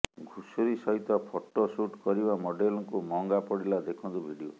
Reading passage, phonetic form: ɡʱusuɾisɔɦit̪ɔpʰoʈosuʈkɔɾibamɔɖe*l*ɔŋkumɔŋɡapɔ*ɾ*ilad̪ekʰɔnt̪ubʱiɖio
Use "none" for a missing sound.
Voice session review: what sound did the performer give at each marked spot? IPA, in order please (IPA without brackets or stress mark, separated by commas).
l, ɽ